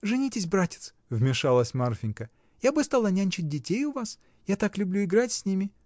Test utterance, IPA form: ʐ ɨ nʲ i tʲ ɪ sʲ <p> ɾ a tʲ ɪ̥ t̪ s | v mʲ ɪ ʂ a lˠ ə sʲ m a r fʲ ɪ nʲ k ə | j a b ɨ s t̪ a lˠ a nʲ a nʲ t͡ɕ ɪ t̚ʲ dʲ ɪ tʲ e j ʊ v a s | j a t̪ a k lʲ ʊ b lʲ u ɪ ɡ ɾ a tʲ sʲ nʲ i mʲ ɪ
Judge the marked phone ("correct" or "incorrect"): incorrect